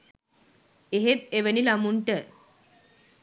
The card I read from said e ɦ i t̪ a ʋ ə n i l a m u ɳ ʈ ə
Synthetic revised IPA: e ɦ e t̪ e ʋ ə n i l a m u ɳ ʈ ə